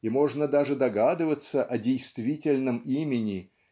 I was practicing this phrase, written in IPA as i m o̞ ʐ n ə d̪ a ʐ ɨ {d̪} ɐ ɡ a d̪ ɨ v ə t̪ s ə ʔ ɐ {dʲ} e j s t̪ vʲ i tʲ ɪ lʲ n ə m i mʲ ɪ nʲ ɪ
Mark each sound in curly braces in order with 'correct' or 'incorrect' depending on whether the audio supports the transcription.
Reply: correct, correct

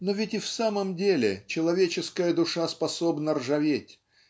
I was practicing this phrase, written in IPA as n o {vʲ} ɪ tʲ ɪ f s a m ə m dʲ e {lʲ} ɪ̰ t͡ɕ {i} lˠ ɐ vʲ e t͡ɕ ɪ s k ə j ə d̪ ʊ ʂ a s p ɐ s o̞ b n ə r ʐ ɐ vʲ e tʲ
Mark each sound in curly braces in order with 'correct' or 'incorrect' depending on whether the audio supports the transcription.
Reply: correct, correct, incorrect: ɪ

